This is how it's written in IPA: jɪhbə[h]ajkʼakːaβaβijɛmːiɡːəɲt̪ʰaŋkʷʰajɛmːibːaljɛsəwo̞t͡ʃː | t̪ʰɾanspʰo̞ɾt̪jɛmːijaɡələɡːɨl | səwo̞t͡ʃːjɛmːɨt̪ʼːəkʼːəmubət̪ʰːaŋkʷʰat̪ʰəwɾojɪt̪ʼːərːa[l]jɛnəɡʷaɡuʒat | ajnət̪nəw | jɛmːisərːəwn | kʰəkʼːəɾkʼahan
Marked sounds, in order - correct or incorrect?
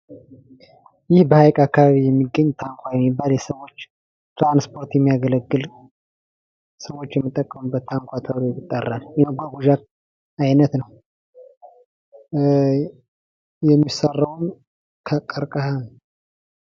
correct, correct

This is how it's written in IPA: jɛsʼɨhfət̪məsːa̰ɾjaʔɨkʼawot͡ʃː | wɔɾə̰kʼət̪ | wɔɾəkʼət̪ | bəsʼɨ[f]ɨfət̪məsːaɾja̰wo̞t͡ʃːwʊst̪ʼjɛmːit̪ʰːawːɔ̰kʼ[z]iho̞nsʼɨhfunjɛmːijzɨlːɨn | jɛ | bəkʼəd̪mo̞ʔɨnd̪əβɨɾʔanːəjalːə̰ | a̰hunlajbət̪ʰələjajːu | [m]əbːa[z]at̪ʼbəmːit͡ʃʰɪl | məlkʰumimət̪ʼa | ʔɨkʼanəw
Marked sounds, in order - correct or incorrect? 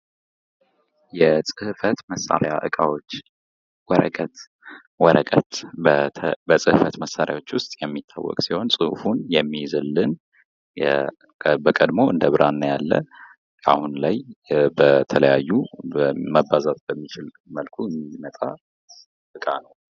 incorrect, incorrect, correct, correct

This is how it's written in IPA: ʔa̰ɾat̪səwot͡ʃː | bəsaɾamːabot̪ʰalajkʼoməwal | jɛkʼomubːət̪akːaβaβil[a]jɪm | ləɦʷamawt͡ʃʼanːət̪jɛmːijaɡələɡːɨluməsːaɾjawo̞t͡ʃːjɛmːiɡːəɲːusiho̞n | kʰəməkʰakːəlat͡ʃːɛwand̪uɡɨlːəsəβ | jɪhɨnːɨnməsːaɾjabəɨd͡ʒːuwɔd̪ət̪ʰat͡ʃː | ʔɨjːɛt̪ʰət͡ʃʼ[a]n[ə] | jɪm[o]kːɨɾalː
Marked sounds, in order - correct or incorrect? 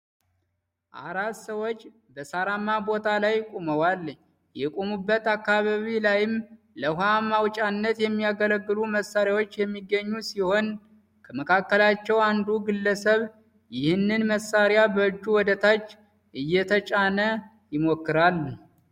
correct, correct, correct, correct

